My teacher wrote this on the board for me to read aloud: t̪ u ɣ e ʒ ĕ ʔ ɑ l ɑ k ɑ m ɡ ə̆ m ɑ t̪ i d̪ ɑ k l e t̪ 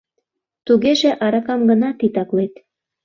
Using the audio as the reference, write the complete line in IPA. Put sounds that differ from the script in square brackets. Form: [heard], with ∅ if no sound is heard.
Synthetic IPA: t̪ u ɣ e ʒ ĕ ʔ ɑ [ɾ] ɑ k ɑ m ɡ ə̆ [n] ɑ t̪ i [t̪] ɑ k l e t̪